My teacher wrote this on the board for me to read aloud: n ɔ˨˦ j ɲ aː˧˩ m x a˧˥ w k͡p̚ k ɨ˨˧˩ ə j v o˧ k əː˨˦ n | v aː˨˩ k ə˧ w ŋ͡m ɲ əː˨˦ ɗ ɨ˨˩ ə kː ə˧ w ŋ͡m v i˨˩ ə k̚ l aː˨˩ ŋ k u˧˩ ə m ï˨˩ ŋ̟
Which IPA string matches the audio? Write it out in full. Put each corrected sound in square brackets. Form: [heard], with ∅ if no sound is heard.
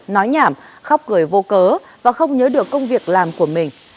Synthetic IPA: n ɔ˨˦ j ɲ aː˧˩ m x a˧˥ w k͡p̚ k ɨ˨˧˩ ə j v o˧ k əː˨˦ [∅] | v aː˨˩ [x] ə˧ w ŋ͡m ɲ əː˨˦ ɗ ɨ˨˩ ə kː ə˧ w ŋ͡m v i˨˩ ə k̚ l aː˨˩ [m] k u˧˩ ə m ï˨˩ ŋ̟